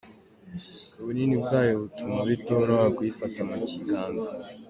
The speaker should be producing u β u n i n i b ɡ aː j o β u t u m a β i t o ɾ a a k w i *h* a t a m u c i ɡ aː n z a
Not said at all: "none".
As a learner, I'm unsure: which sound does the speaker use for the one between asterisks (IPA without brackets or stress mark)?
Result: f